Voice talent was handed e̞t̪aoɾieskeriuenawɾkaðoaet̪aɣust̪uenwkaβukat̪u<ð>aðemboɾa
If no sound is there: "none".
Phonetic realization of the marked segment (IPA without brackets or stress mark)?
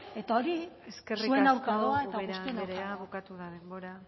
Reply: ð